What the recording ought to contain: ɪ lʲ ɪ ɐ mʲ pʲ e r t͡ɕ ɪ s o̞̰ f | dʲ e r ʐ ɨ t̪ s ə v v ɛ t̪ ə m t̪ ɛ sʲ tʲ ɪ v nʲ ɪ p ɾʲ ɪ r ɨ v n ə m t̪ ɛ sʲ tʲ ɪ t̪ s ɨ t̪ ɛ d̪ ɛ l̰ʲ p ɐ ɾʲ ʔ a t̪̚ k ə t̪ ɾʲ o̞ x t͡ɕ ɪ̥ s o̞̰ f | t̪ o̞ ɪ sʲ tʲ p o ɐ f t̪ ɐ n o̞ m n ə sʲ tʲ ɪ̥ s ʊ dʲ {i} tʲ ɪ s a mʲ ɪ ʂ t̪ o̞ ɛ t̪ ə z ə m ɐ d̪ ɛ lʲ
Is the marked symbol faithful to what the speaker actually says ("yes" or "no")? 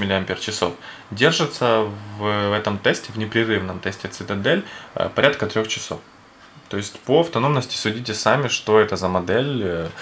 yes